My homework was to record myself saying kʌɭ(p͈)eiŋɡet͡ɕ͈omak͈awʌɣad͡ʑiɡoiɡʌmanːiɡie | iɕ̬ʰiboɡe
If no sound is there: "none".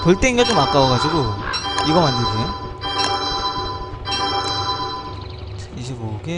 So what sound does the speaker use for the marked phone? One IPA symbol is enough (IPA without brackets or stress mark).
t͈